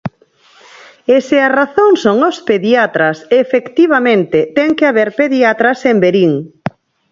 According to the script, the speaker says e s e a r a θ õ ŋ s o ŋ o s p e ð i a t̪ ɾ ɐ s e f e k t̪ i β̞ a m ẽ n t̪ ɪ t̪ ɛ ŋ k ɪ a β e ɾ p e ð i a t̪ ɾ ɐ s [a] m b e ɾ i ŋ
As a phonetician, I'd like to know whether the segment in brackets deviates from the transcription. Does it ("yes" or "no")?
yes